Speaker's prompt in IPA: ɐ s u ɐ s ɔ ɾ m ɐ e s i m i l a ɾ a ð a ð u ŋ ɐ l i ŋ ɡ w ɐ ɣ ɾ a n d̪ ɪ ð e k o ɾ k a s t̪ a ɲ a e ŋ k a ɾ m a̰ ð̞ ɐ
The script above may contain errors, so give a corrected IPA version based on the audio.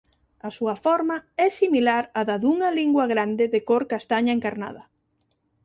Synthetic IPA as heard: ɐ s u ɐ f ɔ ɾ m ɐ ɛ s i m i l a ɾ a ð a ð u ŋ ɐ l i ŋ ɡ w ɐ ɣ ɾ a n d̪ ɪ ð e k o ɾ k a s t̪ a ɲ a e ŋ k a ɾ n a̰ ð̞ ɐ